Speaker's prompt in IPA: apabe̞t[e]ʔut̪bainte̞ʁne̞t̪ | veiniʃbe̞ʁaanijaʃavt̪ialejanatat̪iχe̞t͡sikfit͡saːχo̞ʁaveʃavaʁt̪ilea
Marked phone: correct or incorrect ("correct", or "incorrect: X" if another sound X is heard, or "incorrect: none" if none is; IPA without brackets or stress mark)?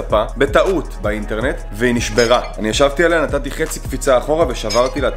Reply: incorrect: a